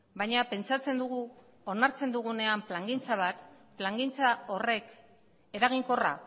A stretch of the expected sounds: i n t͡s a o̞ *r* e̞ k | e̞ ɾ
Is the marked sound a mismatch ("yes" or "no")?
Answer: no